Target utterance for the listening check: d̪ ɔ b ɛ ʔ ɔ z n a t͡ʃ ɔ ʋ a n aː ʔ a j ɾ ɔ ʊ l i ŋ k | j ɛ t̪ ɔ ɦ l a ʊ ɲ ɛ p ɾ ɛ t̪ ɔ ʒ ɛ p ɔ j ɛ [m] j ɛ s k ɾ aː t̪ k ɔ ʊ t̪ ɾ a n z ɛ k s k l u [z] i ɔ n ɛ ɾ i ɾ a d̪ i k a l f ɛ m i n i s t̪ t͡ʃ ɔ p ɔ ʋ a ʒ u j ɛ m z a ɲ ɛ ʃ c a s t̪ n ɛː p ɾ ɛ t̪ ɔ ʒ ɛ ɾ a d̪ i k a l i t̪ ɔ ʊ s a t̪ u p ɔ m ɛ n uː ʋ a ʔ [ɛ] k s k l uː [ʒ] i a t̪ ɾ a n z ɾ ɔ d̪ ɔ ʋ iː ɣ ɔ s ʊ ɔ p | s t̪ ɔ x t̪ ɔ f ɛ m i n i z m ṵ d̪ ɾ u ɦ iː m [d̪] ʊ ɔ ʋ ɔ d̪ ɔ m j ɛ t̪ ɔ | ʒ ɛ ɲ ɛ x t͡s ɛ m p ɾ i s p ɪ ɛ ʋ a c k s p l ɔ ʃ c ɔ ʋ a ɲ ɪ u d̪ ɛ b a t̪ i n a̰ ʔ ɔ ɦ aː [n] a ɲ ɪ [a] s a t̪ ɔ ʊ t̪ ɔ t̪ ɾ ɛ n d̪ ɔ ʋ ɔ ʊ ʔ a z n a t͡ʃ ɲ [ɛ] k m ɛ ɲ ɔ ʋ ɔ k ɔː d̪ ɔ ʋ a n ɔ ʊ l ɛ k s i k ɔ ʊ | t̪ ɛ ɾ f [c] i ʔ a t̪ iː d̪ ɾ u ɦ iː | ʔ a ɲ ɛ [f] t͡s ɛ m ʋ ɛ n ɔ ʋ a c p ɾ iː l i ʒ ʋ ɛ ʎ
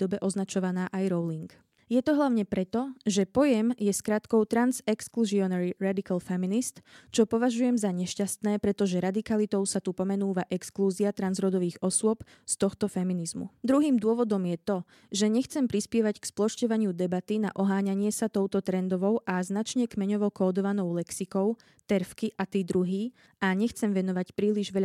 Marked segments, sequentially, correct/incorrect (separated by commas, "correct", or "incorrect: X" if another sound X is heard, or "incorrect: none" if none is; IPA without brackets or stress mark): correct, correct, correct, incorrect: z, correct, incorrect: ɲ, incorrect: ɛ, correct, incorrect: k, incorrect: x